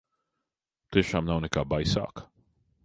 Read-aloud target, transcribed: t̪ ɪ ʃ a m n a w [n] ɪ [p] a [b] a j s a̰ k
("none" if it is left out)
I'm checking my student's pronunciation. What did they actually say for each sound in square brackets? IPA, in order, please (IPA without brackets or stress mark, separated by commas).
n, k, b